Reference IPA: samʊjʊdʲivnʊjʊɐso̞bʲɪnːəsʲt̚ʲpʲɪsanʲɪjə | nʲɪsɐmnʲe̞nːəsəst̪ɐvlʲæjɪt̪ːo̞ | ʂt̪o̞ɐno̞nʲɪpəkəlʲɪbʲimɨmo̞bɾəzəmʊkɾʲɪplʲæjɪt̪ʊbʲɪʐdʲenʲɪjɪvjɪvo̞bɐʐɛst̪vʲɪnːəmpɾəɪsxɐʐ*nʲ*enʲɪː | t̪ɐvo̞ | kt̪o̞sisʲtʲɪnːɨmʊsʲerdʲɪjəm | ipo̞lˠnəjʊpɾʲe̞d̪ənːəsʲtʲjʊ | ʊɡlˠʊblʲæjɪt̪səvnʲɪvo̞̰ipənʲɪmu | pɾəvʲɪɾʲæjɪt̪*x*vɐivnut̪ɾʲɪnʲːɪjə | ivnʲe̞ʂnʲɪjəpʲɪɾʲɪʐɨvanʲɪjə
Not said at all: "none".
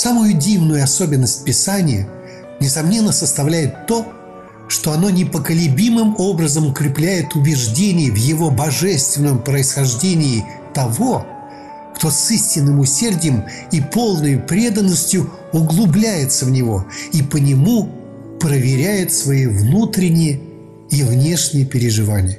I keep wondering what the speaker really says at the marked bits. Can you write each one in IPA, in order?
dʲ, s

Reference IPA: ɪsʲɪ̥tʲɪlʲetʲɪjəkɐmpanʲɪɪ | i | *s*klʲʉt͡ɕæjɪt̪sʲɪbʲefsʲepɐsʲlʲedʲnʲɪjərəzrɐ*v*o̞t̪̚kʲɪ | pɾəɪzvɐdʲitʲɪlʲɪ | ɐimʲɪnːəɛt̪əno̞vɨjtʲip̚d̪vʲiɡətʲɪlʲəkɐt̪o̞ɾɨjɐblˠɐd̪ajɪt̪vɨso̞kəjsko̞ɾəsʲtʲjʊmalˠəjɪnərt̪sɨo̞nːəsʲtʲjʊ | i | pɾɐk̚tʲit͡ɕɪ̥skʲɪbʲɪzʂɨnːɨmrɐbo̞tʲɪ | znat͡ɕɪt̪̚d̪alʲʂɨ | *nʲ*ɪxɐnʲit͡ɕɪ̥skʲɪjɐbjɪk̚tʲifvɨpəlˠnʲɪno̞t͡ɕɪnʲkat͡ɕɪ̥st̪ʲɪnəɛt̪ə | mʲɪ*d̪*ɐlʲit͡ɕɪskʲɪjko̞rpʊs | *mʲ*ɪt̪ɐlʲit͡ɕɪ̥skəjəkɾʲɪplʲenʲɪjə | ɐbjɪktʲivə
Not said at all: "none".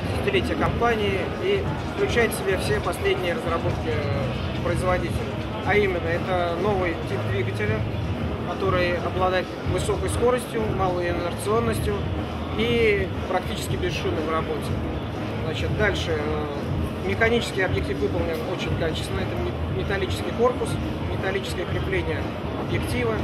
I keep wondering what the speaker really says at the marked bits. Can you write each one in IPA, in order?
f, b, mʲ, t̪, mʲ

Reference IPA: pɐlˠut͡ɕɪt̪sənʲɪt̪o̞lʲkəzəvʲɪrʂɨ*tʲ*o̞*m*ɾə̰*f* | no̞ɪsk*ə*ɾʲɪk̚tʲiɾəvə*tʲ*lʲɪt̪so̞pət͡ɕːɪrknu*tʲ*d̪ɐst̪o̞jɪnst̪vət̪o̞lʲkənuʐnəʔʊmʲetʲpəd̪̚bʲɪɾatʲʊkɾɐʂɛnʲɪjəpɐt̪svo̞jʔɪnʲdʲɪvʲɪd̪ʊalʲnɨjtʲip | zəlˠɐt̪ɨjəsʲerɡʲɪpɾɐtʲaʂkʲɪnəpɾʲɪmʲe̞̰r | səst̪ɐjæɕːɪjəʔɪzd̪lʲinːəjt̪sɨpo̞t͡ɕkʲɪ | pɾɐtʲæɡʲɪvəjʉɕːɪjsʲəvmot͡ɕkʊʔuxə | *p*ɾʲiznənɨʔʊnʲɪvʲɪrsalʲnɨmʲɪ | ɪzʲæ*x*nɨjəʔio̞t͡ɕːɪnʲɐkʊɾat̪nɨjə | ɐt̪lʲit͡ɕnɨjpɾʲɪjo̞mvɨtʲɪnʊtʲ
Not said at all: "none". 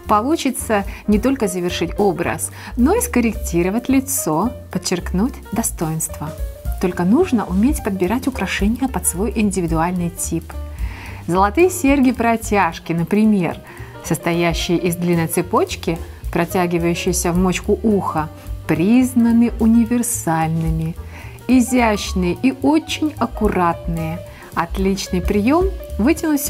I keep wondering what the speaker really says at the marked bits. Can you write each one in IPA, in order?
tʲ, b, s, ə, tʲ, tʲ, p, ɕ

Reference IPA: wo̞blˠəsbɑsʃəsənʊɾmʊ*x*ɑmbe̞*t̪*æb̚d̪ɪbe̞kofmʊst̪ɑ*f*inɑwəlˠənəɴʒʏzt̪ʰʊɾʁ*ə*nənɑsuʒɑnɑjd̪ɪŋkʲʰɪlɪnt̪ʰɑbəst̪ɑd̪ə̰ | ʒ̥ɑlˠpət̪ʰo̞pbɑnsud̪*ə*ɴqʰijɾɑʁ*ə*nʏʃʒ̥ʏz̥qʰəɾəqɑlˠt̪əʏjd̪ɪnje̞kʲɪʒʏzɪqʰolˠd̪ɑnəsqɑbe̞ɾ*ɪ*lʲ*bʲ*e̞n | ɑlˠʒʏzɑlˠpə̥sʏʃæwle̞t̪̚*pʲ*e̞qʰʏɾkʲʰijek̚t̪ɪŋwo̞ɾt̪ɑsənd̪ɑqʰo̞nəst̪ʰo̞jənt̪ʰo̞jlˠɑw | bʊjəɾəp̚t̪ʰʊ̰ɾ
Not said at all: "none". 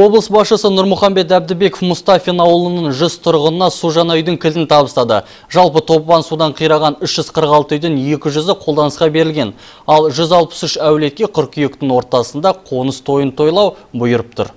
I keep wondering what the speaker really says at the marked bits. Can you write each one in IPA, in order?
χ, t̪, f, ə, ɑ, ɑ, ɪ, ɡʲ, kʲ

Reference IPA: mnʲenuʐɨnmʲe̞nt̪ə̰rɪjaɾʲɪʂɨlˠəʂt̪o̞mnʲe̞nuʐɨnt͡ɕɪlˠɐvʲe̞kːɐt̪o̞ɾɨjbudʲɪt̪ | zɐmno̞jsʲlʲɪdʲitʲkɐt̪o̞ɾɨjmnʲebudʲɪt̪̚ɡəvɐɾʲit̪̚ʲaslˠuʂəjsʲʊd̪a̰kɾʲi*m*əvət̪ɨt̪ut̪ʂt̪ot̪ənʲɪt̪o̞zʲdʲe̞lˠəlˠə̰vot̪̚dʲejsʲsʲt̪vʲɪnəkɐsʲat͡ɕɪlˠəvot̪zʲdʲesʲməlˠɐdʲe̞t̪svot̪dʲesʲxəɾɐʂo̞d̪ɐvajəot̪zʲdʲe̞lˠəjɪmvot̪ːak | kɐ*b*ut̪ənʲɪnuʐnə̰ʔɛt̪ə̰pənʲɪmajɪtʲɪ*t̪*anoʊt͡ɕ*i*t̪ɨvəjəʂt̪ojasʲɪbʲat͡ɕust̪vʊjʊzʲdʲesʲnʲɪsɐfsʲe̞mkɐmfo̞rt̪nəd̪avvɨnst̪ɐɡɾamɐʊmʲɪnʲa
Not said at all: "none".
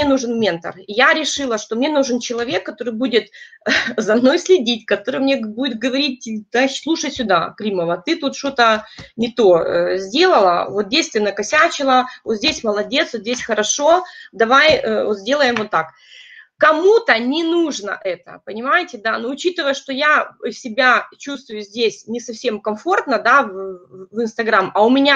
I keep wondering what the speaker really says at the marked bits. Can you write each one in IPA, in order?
m, m, d̪, i

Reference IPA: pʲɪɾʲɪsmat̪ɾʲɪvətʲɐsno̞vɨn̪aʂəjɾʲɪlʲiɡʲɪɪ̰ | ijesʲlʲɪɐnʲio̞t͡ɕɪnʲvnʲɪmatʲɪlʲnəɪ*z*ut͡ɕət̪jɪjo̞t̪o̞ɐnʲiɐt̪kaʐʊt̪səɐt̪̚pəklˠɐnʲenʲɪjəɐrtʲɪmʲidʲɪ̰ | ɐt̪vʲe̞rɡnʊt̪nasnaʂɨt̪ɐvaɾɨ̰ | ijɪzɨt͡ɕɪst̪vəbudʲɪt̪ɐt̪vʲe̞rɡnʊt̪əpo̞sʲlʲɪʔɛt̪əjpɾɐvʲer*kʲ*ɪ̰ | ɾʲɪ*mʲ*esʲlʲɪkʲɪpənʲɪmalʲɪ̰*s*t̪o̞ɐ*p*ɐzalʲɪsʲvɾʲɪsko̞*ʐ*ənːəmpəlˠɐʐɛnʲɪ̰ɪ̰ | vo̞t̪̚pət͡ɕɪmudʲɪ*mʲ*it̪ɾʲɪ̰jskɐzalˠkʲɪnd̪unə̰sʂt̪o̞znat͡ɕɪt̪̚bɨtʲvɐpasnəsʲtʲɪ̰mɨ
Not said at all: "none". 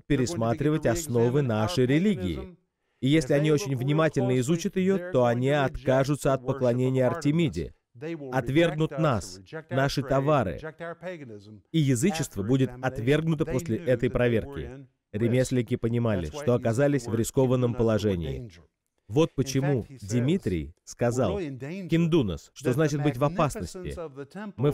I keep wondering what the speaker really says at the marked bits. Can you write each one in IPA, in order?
z, kʲ, mʲ, ʂ, k, v, mʲ

